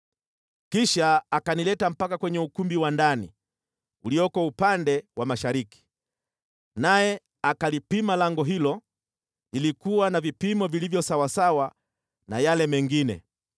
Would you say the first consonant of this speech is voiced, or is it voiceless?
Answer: voiceless